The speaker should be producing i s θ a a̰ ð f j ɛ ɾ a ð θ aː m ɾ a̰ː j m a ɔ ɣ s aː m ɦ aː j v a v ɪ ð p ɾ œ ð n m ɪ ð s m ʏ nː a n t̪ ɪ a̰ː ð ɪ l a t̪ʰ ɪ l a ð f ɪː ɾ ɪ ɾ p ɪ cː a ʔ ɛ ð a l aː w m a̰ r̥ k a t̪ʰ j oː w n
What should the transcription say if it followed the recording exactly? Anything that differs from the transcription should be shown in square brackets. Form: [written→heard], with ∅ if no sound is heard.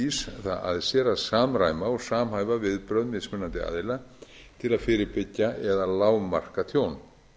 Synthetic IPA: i s θ a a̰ ð [f→s] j ɛ ɾ a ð [θ→s] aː m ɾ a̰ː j m a ɔ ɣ s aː m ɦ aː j v a v ɪ ð p ɾ œ ð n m ɪ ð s m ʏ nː a n t̪ ɪ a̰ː ð ɪ l a t̪ʰ ɪ l a ð f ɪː ɾ ɪ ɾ p ɪ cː a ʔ ɛ ð a l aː w m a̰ r̥ k a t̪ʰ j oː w n